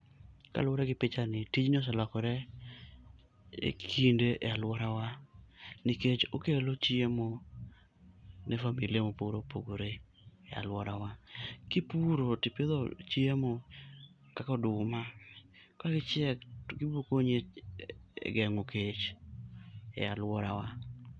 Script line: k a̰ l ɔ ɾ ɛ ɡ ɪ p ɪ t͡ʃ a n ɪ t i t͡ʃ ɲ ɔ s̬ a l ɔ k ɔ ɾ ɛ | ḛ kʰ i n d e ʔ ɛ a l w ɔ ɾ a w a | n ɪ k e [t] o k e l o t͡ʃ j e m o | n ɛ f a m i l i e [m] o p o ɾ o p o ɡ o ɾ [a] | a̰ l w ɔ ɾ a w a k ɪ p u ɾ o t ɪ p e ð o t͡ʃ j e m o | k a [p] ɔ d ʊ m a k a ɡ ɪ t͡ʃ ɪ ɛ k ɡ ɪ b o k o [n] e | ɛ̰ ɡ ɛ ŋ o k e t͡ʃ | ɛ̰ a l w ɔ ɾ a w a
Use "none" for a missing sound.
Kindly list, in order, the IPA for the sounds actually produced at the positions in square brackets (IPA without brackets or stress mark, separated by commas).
t͡ʃ, m, e, k, ɲ